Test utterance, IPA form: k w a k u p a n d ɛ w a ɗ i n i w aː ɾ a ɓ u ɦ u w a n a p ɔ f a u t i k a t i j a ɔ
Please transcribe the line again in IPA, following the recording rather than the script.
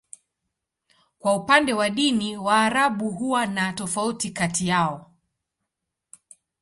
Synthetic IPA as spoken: k w a u p a n d ɛ w a ɗ i n i w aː ɾ a ɓ u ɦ u w a n a t ɔ f a u t i k a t i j a ɔ